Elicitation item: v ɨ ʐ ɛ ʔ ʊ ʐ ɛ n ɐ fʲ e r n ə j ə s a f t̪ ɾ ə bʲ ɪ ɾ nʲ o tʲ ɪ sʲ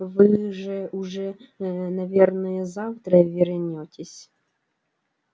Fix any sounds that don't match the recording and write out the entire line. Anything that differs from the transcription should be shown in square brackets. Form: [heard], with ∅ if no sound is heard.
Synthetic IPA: v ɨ ʐ ɛ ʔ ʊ ʐ ɛ n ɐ [vʲ] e r n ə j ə [z] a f t̪ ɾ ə [vʲ] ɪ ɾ nʲ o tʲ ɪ sʲ

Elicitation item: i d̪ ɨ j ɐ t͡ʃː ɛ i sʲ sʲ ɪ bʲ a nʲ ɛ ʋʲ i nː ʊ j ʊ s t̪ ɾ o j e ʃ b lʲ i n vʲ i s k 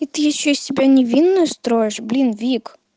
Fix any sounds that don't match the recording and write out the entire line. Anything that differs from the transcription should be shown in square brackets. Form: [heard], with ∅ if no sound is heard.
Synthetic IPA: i [t̪] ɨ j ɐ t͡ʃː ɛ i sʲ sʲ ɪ bʲ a nʲ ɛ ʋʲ i nː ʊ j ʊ s t̪ ɾ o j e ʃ b lʲ i n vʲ i [∅] k

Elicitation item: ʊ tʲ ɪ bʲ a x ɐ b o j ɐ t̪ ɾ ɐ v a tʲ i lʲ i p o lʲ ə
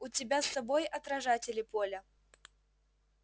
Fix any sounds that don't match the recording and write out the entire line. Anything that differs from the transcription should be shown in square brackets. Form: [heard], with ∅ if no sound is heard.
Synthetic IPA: ʊ tʲ ɪ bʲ a [s] ɐ b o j ɐ t̪ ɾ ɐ [ʐ] a tʲ [ɪ] lʲ [ɪ] p o lʲ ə

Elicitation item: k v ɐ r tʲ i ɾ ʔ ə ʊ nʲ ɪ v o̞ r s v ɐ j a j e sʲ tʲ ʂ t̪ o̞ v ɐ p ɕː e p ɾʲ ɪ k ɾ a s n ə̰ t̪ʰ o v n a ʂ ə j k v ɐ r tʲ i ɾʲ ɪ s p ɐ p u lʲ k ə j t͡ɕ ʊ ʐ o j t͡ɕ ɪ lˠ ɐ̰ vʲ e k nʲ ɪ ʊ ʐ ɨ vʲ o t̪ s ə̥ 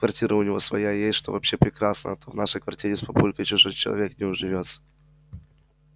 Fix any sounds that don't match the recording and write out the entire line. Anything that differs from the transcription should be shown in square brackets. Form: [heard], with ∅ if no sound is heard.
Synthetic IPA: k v ɐ r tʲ i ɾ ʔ ə ʊ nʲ ɪ v o̞ [∅] s v ɐ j a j e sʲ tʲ ʂ t̪ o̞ v ɐ p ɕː e p ɾʲ ɪ k ɾ a s n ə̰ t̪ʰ o v n a ʂ ə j k v ɐ r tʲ i ɾʲ ɪ s p ɐ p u lʲ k ə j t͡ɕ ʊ ʐ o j t͡ɕ ɪ lˠ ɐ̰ vʲ e k nʲ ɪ ʊ ʐ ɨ vʲ o t̪ s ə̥

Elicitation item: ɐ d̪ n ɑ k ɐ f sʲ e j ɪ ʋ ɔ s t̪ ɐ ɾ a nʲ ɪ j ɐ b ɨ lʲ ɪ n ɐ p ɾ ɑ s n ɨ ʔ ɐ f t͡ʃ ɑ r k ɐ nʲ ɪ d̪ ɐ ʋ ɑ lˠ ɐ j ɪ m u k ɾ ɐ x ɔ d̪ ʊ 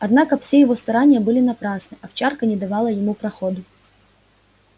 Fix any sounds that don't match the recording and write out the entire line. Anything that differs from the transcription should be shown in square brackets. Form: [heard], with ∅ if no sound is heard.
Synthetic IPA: ɐ d̪ n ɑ k ɐ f sʲ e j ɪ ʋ ɔ s t̪ ɐ ɾ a nʲ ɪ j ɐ b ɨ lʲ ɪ n ɐ p ɾ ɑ s n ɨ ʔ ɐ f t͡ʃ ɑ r k ɐ nʲ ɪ d̪ ɐ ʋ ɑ lˠ ɐ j ɪ m u [p] ɾ ɐ x ɔ d̪ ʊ

